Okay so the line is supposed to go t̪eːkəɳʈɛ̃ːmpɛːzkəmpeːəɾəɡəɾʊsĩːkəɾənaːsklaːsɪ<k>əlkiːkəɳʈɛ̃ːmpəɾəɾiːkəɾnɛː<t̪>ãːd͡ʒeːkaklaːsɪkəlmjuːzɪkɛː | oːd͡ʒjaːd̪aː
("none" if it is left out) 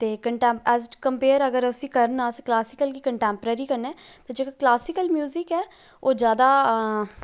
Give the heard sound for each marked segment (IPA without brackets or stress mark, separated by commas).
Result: k, t̪